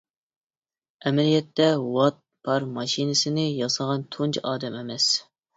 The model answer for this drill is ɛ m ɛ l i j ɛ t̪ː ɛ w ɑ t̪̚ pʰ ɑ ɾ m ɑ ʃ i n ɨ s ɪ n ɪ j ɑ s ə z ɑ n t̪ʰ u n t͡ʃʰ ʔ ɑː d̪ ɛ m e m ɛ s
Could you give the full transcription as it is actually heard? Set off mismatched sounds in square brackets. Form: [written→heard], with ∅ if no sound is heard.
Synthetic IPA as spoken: ɛ m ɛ l i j ɛ t̪ː ɛ w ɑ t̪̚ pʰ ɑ ɾ m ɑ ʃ i n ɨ s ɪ n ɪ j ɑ s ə [z→ʁ] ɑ n t̪ʰ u n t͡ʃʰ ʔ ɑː d̪ ɛ m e m ɛ s